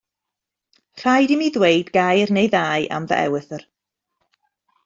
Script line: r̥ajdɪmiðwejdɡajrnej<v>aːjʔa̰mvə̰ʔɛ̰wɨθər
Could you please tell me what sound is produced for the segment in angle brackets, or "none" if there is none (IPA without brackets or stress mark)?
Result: ð